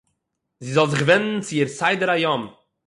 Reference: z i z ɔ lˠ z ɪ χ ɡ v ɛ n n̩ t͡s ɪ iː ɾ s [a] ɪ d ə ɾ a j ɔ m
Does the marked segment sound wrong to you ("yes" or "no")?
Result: no